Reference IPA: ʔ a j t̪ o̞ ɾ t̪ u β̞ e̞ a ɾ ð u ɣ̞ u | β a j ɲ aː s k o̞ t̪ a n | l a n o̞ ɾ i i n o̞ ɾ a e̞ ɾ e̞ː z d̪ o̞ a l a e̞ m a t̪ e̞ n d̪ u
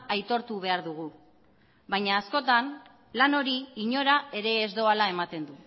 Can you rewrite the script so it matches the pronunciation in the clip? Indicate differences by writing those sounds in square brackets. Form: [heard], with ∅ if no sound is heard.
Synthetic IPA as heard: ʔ a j t̪ o̞ ɾ t̪ u β̞ e̞ a ɾ ð u ɣ̞ u | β a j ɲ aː s k o̞ t̪ a n | l a n o̞ ɾ i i [ɲ] o̞ ɾ a e̞ ɾ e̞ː z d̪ o̞ a l a e̞ m a t̪ e̞ n d̪ u